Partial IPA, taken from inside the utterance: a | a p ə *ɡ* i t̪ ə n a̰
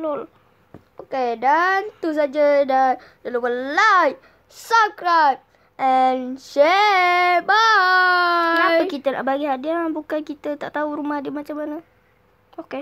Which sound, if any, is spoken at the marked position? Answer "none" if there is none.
k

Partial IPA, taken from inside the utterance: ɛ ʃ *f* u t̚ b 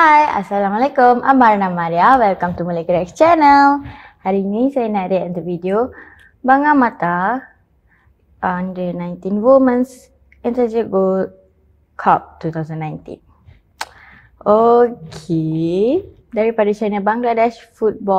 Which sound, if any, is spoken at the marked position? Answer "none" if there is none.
f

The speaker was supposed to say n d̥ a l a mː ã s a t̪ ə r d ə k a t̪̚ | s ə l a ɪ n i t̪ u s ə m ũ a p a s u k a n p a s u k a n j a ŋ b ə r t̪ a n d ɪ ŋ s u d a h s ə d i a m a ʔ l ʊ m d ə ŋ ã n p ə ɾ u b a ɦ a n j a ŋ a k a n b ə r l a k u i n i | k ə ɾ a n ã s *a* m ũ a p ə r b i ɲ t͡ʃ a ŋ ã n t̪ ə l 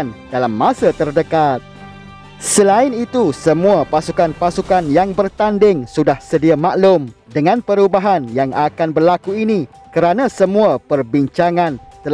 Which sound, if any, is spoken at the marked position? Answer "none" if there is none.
ə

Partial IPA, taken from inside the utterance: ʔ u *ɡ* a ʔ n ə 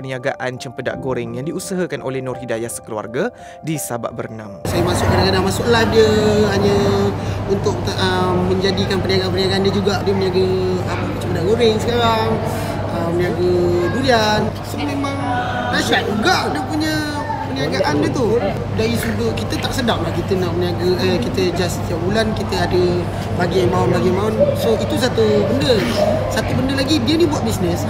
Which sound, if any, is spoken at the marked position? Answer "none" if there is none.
ɡ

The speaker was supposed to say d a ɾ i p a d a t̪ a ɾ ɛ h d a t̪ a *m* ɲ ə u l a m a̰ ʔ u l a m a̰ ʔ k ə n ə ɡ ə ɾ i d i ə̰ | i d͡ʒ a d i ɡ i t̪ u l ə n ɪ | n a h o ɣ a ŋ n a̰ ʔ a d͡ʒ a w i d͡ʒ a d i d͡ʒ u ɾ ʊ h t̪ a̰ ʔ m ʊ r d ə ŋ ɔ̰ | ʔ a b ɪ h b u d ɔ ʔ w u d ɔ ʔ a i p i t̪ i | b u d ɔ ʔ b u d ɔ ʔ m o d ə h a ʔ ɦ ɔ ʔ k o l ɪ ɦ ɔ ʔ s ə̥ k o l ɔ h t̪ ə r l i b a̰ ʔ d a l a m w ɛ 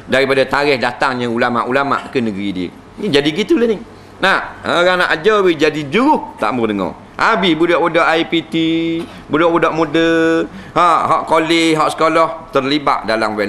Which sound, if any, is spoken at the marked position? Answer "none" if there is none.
ŋ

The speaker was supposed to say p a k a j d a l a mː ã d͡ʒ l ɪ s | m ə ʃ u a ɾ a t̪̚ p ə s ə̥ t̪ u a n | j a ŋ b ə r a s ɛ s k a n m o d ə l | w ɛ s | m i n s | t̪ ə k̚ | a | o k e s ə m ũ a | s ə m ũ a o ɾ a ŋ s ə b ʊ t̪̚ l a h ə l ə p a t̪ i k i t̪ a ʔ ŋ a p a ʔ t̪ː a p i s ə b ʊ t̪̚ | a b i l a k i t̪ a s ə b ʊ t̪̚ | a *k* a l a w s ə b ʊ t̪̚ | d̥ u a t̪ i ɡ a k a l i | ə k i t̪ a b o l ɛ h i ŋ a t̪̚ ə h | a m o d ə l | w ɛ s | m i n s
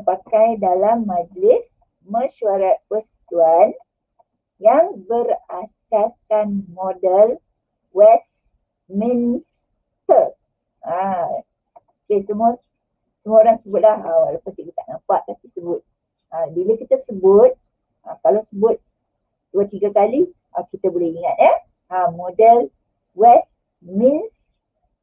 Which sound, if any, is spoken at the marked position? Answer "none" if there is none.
k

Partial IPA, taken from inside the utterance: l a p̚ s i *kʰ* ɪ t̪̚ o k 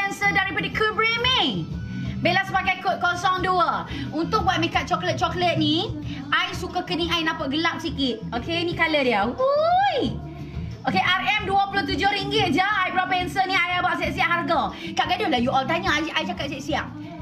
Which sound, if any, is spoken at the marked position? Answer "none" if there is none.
k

